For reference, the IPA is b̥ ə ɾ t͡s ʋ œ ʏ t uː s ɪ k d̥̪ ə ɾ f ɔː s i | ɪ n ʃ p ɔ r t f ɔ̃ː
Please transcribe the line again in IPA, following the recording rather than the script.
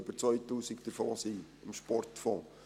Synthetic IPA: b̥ ə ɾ t͡s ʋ œ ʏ t uː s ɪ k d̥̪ ə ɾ f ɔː s i | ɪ m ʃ p ɔ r t f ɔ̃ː